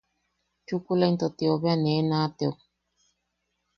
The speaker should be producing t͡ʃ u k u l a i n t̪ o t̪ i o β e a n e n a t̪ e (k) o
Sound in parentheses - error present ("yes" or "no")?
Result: yes